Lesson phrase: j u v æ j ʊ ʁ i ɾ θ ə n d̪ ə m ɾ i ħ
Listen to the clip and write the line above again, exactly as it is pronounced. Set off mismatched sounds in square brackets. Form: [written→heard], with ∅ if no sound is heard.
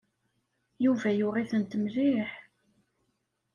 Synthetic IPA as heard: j u v æ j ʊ ʁ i [ɾ→∅] θ ə n [d̪→t̪] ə m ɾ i ħ